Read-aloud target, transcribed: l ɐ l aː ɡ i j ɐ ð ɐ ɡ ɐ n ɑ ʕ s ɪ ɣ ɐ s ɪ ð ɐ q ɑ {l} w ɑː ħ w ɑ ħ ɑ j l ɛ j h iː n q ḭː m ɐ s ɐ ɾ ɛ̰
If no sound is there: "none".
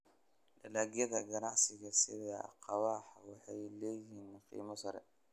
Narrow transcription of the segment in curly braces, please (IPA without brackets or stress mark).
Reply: none